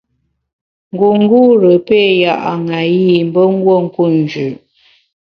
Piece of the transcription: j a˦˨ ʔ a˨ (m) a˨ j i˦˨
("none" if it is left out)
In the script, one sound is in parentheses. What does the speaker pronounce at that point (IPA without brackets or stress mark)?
ŋ